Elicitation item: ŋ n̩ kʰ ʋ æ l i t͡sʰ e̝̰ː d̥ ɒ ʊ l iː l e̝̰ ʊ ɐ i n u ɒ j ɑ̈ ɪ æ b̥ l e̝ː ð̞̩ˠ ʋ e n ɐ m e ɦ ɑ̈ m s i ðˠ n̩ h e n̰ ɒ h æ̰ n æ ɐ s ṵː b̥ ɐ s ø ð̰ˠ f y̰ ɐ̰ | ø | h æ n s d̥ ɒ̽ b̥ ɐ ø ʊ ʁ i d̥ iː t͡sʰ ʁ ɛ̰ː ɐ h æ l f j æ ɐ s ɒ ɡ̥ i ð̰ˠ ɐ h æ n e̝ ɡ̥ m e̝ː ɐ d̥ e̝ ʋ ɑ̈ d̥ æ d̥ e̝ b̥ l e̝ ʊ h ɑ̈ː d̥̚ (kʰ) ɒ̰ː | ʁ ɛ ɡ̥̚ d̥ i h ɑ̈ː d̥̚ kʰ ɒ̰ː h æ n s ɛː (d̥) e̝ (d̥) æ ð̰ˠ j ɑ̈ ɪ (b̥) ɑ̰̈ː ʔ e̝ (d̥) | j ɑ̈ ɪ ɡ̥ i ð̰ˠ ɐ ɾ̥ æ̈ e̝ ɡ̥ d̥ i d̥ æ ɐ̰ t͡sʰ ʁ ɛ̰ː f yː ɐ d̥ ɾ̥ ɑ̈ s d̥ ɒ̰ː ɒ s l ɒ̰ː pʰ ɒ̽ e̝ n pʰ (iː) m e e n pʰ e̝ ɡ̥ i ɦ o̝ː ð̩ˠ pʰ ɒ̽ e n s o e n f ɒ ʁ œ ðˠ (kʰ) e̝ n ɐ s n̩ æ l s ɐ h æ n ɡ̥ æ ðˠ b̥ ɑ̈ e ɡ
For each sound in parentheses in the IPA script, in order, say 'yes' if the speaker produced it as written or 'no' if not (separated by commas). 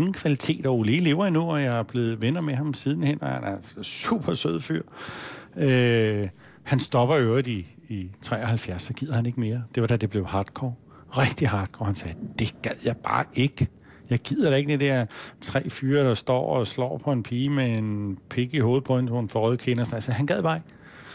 yes, yes, no, yes, no, yes, yes